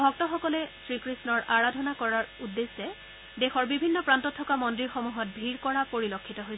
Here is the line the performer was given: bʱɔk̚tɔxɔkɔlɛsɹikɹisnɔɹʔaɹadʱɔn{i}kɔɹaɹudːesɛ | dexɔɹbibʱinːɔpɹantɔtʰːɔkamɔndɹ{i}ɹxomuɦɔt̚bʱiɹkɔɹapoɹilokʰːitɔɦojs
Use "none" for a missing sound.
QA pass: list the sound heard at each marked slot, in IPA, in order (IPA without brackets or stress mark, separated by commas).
a, i